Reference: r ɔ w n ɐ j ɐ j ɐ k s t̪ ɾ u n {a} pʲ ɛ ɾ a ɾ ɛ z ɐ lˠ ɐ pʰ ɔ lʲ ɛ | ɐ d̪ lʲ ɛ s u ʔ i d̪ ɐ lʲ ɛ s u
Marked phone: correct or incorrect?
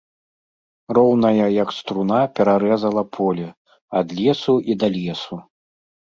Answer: correct